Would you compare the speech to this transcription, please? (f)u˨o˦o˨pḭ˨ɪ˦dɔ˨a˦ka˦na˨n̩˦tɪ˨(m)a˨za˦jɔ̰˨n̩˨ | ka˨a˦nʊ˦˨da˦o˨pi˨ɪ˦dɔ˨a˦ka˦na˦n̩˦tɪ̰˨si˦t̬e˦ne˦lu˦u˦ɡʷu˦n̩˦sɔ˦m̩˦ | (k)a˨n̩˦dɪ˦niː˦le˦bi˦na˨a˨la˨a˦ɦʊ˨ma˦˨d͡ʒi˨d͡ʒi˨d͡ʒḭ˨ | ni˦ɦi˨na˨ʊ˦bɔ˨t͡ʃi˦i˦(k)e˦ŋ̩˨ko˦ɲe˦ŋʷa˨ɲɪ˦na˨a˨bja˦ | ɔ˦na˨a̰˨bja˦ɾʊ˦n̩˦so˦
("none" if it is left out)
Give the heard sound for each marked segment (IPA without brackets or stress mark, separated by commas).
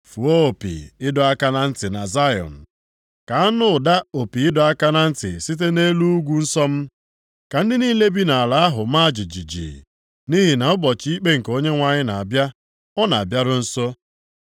f, n, k, k͡p